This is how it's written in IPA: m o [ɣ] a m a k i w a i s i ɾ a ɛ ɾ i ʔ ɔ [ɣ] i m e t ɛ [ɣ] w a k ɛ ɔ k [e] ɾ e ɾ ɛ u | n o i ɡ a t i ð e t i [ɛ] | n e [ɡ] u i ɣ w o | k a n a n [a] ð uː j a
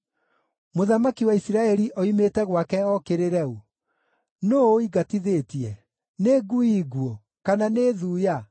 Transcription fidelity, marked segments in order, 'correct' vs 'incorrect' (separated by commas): incorrect, incorrect, correct, correct, correct, correct, incorrect